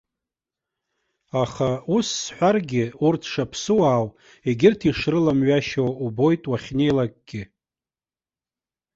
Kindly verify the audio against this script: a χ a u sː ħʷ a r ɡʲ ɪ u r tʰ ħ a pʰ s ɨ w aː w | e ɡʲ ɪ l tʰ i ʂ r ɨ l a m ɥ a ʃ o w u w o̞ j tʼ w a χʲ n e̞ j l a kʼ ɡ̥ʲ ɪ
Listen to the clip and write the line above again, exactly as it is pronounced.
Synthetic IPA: a χ a u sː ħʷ a r ɡʲ ɪ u r tʰ ʂ a pʰ s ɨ w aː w | e ɡʲ ɪ r tʰ i ʂ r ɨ l a m ɥ a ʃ o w u b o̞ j tʼ w a χʲ n e̞ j l a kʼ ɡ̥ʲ ɪ